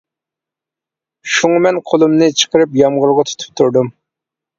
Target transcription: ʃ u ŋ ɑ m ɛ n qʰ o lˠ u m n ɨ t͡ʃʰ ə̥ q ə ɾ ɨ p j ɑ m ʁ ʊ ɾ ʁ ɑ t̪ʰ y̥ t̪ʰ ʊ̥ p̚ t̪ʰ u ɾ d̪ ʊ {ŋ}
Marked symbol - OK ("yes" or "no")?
no